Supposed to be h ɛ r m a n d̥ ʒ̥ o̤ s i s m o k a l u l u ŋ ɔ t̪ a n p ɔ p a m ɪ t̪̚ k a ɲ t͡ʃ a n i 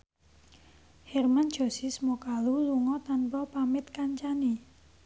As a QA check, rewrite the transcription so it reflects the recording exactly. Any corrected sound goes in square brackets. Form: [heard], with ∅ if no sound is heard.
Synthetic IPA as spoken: h ɛ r m a n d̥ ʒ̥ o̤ s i s m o k a l u l u ŋ ɔ t̪ a n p ɔ p a m ɪ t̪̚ k a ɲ t͡ʃ a n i